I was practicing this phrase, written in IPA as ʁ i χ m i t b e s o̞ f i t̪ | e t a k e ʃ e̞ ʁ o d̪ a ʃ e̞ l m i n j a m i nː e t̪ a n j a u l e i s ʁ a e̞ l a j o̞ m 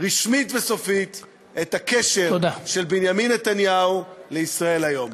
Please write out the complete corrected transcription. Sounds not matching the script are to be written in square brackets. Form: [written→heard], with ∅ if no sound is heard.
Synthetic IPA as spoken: ʁ i [χ→ʃ] m i t [b→v] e s o̞ f i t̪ | e t a k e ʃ e̞ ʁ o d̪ a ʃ e̞ l [m→b] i n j a m i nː e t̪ a n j a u l e i s ʁ a e̞ l a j o̞ m